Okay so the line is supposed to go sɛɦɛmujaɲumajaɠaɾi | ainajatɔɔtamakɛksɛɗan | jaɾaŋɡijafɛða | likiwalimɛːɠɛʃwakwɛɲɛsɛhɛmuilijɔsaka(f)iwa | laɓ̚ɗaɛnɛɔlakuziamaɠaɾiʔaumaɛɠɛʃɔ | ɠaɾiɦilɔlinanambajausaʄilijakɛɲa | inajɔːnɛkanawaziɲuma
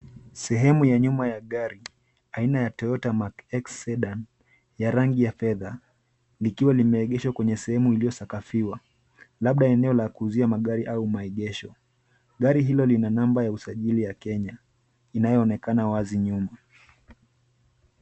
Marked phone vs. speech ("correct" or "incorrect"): correct